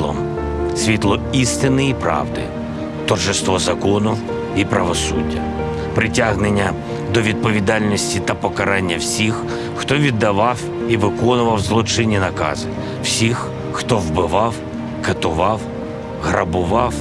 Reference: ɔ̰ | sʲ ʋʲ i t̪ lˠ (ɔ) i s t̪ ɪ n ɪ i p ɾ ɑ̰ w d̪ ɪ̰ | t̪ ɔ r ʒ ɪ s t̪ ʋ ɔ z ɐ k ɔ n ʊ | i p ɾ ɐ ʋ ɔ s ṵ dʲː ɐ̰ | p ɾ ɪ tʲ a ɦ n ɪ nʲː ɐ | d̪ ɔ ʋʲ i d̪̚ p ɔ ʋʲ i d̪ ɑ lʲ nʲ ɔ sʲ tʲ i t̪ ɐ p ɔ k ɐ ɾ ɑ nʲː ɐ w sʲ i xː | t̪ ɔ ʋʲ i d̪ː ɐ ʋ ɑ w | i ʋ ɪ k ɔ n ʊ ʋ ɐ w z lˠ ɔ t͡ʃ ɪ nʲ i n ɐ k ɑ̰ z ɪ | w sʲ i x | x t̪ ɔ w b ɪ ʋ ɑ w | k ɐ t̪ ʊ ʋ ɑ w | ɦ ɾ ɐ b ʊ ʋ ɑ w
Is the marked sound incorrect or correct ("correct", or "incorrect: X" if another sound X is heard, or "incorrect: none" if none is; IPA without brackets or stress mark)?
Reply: correct